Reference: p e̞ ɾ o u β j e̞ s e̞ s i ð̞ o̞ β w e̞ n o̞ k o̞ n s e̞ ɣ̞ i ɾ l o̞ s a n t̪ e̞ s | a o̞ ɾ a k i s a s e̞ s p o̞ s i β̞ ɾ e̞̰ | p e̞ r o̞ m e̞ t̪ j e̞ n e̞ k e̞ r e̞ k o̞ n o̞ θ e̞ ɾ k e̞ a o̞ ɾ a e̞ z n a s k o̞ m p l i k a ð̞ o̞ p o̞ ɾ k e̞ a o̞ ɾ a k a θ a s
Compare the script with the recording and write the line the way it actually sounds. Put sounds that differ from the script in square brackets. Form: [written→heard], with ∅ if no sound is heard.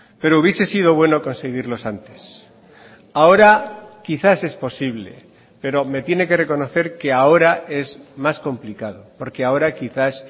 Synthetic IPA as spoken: p e̞ ɾ o u β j e̞ s e̞ s i ð̞ o̞ β w e̞ n o̞ k o̞ n s e̞ ɣ̞ i ɾ l o̞ s a n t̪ e̞ s | a o̞ ɾ a k i [s→θ] a s e̞ s p o̞ s i β̞ [ɾ→l] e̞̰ | p e̞ [r→ɾ] o̞ m e̞ t̪ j e̞ n e̞ k e̞ r e̞ k o̞ n o̞ θ e̞ ɾ k e̞ a o̞ ɾ a e̞ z [n→m] a s k o̞ m p l i k a ð̞ o̞ p o̞ ɾ k e̞ a o̞ ɾ a k [a→i] θ a s

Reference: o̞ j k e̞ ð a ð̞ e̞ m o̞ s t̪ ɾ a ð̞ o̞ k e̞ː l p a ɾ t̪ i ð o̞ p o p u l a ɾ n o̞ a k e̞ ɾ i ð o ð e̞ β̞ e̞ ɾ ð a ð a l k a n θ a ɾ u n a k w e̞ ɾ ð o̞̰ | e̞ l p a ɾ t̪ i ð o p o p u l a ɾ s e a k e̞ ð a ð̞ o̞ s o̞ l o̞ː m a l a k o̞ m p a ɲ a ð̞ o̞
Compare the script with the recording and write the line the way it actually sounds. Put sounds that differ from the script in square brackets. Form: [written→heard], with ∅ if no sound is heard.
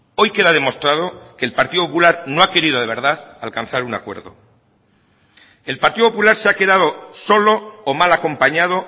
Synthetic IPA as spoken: o̞ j k e̞ ð a ð̞ e̞ m o̞ s t̪ ɾ a ð̞ o̞ k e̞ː l p a ɾ t̪ i ð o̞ p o p u l a ɾ n o̞ a k e̞ ɾ i ð o ð e̞ β̞ e̞ ɾ ð a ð a l k a n θ a ɾ u n a k w e̞ ɾ ð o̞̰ | e̞ l p a ɾ t̪ i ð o p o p u l a ɾ s e a k e̞ ð a ð̞ o̞ s o̞ l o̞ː m a l a k o̞ m p a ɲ a ð̞ o̞

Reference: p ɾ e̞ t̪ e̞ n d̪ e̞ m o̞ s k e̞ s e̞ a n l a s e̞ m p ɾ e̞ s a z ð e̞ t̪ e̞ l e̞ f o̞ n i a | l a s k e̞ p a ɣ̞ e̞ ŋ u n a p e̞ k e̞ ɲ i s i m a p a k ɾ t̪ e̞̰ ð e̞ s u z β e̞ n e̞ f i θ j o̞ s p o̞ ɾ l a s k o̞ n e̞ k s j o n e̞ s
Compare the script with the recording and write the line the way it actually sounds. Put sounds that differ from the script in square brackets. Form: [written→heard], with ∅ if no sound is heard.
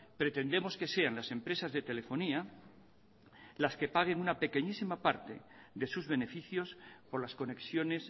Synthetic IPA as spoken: p ɾ e̞ t̪ e̞ n d̪ e̞ m o̞ s k e̞ s e̞ a n l a s e̞ m p ɾ e̞ s a z ð e̞ t̪ e̞ l e̞ f o̞ n i a | l a s k e̞ p a ɣ̞ e̞ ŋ u n a p e̞ k e̞ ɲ i s i m a p a [k→∅] ɾ t̪ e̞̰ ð e̞ s u z β e̞ n e̞ f i θ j o̞ s p o̞ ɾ l a s k o̞ n e̞ k s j o n e̞ s

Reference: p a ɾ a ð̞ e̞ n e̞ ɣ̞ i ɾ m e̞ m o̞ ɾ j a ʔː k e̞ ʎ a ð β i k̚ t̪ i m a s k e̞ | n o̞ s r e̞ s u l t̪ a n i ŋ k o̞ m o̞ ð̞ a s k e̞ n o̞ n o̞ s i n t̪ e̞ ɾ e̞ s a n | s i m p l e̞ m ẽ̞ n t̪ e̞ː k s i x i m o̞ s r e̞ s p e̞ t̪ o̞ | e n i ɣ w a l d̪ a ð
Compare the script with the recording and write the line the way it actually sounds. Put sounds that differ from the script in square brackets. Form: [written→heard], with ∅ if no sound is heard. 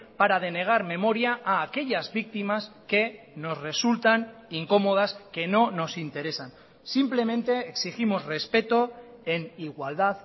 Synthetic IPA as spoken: p a ɾ a ð̞ e̞ n e̞ ɣ̞ [i→a] ɾ m e̞ m o̞ ɾ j a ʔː k e̞ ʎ a [ð→z] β i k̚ t̪ i m a s k e̞ | n o̞ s r e̞ s u l t̪ a n i ŋ k o̞ m o̞ ð̞ a s k e̞ n o̞ n o̞ s i n t̪ e̞ ɾ e̞ s a n | s i m p l e̞ m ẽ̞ n t̪ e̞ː k s i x i m o̞ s r e̞ s p e̞ t̪ o̞ | e n i ɣ w a l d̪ a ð

